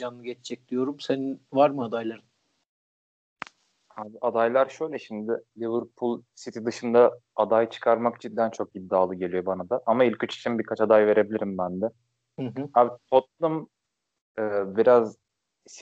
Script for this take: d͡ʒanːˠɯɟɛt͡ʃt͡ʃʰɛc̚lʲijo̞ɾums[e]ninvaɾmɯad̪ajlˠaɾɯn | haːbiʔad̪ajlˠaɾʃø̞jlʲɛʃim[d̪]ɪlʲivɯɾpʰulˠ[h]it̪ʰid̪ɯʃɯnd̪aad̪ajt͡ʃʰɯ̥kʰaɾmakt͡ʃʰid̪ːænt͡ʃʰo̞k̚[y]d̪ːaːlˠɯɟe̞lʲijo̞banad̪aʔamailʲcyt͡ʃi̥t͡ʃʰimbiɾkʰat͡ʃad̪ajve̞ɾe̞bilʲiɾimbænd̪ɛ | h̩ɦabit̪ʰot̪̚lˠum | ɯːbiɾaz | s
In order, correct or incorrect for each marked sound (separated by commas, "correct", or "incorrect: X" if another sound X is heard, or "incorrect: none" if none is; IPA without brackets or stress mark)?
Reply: correct, correct, incorrect: s, incorrect: i